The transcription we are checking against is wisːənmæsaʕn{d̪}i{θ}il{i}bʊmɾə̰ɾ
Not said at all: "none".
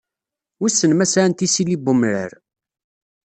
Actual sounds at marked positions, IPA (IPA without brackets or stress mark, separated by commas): t̪, s, i